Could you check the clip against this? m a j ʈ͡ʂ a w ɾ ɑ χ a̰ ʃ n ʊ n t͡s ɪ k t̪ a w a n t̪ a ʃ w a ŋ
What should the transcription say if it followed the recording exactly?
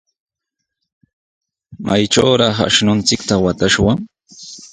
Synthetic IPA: m a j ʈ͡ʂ a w ɾ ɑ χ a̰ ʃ n ʊ n t͡s ɪ k t̪ a w a t̪ a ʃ w a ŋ